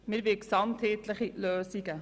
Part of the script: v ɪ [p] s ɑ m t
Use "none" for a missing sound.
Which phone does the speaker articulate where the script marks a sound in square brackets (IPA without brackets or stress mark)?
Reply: k